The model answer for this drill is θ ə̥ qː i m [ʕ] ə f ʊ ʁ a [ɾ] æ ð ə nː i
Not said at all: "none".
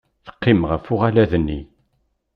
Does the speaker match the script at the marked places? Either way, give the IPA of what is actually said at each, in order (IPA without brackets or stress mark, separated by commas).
ʁ, l